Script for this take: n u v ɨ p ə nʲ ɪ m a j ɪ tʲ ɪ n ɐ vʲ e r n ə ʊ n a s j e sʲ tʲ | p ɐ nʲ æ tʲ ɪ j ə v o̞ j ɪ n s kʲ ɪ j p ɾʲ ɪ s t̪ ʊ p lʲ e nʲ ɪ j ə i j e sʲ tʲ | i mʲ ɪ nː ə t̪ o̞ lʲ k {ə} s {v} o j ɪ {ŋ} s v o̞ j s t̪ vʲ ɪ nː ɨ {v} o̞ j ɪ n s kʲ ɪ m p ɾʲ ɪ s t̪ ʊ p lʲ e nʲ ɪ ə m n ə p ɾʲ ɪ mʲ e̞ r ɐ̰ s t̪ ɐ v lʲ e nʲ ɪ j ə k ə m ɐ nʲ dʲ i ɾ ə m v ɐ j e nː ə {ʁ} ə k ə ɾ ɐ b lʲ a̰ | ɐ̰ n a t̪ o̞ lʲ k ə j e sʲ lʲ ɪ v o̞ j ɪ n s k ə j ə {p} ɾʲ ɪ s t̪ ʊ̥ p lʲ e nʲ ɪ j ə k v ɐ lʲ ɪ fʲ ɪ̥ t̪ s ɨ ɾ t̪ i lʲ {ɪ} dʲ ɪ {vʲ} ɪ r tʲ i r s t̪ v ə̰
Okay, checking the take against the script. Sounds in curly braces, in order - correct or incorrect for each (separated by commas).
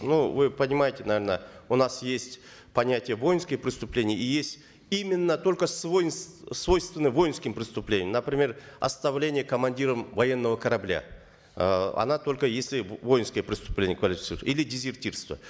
correct, correct, incorrect, correct, incorrect, correct, correct, incorrect